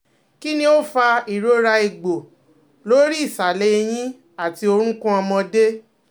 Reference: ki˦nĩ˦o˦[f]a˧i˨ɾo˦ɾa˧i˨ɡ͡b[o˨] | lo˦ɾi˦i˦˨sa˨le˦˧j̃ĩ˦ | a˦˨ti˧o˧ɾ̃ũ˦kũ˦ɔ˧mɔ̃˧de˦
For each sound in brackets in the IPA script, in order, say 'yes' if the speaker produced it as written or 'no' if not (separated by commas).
yes, yes